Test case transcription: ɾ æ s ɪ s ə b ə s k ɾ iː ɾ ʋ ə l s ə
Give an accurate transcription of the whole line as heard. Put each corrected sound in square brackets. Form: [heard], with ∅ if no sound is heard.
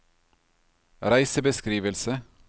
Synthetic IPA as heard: ɾ æ [∅] ɪ s ə b ə s k ɾ iː [∅] ʋ ə l s ə